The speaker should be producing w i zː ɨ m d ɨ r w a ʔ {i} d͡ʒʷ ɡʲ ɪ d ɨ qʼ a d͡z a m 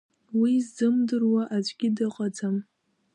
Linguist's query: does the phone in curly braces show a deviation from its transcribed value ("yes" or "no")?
yes